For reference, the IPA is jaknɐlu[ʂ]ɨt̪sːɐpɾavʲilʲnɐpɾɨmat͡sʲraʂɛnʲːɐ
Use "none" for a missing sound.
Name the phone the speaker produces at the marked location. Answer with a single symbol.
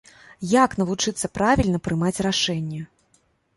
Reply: t͡ʂ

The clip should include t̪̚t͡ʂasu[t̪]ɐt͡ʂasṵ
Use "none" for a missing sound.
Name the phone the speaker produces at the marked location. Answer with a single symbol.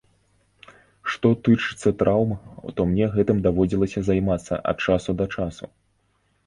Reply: d̪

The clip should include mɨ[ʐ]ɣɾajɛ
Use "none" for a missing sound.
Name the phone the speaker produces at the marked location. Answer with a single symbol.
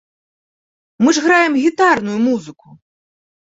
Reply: ʐ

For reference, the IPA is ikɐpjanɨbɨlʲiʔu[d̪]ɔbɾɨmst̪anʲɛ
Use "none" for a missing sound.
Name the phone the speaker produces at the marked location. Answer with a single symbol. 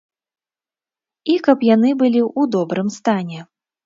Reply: d̪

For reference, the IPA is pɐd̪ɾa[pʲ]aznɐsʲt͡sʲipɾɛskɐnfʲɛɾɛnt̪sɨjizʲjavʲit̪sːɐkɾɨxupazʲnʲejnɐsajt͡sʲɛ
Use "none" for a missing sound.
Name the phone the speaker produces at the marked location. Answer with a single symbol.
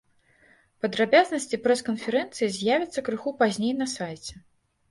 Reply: bʲ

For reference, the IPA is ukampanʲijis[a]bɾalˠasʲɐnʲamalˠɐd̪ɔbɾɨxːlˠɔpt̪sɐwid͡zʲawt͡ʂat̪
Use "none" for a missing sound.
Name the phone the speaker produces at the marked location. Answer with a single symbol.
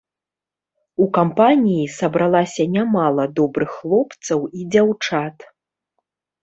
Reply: ɐ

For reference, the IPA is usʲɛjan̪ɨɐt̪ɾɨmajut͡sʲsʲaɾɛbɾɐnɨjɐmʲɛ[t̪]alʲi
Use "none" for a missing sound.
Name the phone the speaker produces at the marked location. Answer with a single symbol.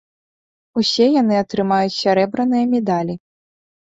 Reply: d̪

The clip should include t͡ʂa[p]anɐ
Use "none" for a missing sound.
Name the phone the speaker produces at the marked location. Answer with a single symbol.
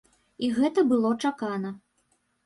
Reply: k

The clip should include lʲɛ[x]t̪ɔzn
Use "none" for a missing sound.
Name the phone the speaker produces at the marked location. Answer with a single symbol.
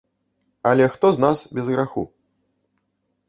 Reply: x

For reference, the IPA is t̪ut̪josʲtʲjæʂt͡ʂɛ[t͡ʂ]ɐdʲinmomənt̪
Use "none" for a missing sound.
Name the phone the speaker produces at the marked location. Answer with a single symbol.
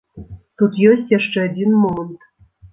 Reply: none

